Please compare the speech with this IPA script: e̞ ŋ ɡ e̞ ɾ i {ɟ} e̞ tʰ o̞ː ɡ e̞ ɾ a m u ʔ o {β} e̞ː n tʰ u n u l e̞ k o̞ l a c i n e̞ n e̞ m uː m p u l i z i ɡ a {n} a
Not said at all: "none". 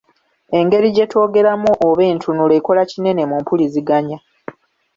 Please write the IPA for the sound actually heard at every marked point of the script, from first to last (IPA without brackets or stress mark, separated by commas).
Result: ɟ, β, ɲ